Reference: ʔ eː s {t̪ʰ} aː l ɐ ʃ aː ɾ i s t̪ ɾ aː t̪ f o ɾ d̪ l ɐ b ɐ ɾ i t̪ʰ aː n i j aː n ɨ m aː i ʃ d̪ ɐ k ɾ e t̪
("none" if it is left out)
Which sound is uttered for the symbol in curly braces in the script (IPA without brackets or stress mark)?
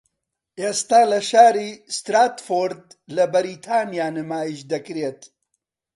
t̪